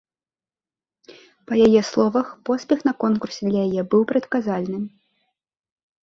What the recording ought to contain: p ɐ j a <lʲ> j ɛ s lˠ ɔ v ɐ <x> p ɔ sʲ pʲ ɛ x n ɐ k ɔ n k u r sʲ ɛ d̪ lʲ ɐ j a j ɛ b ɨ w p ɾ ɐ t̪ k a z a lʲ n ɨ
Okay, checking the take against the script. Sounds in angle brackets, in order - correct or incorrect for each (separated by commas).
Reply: incorrect, correct